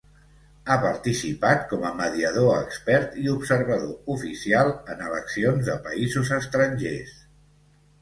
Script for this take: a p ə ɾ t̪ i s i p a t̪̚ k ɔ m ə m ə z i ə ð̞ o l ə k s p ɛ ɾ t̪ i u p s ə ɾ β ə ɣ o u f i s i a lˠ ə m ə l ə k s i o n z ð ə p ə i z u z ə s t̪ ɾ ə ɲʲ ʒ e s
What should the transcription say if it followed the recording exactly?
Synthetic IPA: a p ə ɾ t̪ i s i p a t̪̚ k ɔ m ə m ə ð i ə ð̞ o ə k s p ɛ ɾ t̪ i u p s ə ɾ β ə ð o u f i s i a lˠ ə n ə l ə k s i o n z ð ə p ə i z u z ə s t̪ ɾ ə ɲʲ ʒ e s